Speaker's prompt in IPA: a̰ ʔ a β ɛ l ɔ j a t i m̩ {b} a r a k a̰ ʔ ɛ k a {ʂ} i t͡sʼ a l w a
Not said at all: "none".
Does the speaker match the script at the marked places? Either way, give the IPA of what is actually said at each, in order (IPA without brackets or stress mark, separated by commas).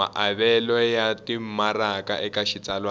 m, ʃ